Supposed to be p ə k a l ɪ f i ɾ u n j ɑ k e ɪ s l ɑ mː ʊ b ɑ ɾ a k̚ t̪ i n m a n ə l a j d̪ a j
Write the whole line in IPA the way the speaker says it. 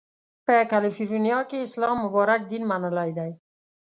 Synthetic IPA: p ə k a l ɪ f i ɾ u n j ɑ k e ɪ s l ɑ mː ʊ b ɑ ɾ a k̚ d̪ i n m a n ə l a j d̪ a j